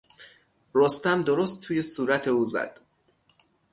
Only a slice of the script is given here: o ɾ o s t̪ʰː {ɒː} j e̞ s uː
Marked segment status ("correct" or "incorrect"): incorrect